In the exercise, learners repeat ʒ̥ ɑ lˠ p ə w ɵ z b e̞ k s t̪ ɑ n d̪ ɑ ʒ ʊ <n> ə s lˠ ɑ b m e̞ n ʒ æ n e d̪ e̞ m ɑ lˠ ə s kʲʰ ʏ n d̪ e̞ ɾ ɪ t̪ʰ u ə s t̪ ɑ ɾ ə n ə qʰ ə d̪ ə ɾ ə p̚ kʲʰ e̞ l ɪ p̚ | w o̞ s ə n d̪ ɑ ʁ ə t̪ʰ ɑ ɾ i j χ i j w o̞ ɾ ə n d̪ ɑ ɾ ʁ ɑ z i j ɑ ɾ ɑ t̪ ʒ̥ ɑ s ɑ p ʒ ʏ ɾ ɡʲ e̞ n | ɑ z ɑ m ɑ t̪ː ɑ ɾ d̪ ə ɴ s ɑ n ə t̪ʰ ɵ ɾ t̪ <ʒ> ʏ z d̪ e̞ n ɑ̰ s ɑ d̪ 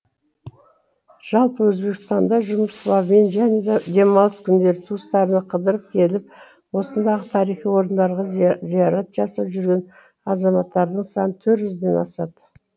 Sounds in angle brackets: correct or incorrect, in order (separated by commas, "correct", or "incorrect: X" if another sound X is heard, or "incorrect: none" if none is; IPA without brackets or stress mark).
incorrect: m, correct